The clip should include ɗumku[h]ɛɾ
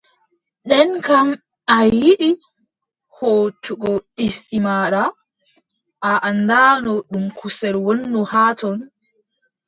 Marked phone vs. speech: incorrect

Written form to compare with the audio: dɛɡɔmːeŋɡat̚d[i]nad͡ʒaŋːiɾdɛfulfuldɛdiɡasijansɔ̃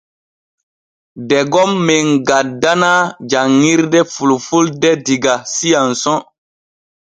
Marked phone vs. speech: incorrect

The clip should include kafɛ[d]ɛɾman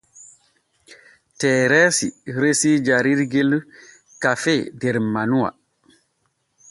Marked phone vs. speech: correct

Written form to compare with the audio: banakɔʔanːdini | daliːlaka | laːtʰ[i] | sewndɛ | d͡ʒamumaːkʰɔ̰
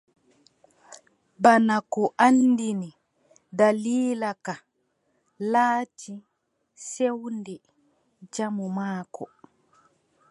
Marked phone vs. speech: correct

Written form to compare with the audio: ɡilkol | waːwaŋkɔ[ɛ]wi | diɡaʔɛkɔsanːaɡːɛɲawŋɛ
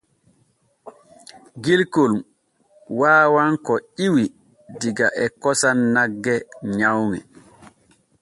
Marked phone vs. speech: incorrect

